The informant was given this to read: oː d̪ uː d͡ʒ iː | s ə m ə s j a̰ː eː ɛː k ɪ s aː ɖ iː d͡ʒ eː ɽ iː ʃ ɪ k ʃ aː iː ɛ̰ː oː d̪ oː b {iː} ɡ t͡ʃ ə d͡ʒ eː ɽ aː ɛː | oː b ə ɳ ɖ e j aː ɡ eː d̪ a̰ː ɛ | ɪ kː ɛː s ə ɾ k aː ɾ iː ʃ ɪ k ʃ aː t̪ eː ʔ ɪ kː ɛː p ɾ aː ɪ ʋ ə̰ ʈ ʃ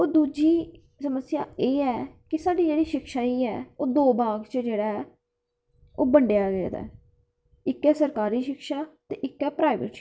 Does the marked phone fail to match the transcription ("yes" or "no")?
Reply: yes